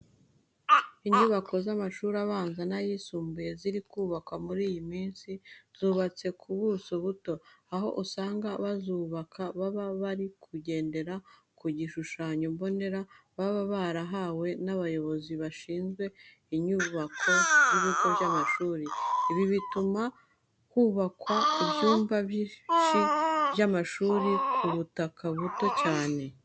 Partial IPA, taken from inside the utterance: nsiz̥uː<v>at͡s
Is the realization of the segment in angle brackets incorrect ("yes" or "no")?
yes